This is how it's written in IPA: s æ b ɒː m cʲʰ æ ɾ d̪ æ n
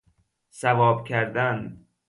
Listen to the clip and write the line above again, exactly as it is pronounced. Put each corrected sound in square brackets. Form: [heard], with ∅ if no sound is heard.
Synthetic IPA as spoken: s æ [v] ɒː [b] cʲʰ æ ɾ d̪ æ n